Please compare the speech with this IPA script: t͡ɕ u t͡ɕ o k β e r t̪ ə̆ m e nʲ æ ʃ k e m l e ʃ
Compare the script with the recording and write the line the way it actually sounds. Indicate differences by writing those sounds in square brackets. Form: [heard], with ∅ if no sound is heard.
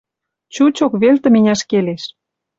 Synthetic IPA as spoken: t͡ɕ u t͡ɕ o k β e [l] t̪ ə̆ m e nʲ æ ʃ k e [∅] l e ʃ